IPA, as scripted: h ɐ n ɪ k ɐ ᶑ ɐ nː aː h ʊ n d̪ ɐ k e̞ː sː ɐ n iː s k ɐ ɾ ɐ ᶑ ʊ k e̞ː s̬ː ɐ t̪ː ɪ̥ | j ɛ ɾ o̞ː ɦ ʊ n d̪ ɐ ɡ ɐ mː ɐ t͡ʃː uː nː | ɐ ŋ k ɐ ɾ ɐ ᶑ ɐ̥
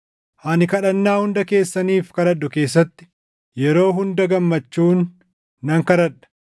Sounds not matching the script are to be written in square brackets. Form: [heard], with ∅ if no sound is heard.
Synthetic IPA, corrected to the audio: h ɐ n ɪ k ɐ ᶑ ɐ nː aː h ʊ n d̪ ɐ k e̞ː sː ɐ n iː [f] k ɐ ɾ ɐ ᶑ ʊ k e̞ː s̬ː ɐ t̪ː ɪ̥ | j ɛ ɾ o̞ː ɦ ʊ n d̪ ɐ ɡ ɐ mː ɐ t͡ʃː uː nː | ɐ ŋ k ɐ ɾ ɐ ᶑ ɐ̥